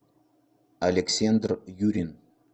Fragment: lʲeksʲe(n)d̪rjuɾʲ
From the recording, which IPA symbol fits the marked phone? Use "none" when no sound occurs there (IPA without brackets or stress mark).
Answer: n